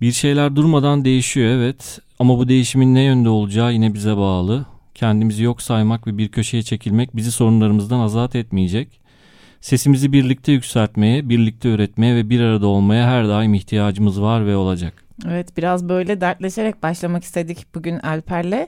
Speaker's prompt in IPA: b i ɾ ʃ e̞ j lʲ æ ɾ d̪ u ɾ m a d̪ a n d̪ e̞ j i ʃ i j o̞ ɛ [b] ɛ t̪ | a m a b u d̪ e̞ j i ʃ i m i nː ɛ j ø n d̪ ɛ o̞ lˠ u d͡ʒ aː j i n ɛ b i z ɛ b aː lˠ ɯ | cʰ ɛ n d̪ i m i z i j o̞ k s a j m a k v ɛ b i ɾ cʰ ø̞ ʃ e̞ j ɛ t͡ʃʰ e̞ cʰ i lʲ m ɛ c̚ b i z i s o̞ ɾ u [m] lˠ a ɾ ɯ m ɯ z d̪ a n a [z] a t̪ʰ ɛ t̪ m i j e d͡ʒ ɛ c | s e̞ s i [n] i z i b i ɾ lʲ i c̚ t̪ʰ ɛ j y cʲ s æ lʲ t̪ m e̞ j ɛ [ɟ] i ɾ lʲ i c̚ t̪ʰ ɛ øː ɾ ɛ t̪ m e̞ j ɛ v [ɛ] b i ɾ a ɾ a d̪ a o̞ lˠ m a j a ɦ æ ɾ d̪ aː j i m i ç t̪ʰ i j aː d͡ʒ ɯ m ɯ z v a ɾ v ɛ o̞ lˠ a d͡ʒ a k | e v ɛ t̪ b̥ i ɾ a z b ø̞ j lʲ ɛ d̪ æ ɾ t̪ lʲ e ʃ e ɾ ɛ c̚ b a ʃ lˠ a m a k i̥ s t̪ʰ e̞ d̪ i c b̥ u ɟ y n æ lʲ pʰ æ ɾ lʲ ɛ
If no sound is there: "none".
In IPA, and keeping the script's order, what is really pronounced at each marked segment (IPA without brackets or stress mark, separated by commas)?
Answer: v, n, z, m, b, ɛ